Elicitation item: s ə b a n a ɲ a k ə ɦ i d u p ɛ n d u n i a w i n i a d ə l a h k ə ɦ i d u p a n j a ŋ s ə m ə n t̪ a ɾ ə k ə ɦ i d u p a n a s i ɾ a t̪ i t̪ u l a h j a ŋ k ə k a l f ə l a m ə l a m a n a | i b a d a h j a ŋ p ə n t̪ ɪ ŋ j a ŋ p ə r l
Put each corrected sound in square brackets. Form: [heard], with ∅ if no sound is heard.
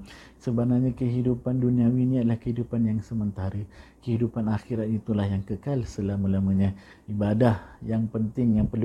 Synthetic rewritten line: s ə b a n a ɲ a k ə ɦ i d u p [a] n d u n i a w i n i a d ə l a h k ə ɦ i d u p a n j a ŋ s ə m ə n t̪ a ɾ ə k ə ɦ i d u p a n a [x] i ɾ a t̪ i t̪ u l a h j a ŋ k ə k a l [s] ə l a m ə l a m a [ɲ] a | i b a d a h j a ŋ p ə n t̪ ɪ ŋ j a ŋ p ə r l